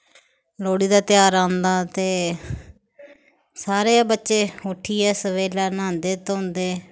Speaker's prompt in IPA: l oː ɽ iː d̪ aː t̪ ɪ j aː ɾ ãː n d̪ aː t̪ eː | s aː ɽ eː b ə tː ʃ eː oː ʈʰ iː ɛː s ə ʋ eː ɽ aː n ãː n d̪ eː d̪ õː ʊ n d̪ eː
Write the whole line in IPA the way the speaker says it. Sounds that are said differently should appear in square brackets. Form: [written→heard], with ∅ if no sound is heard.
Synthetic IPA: l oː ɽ iː d̪ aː t̪ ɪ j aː ɾ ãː n d̪ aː t̪ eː | s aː [ɽ→ɾ] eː b ə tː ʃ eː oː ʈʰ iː ɛː s ə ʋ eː [ɽ→l] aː n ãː n d̪ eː [d̪→t̪] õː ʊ n d̪ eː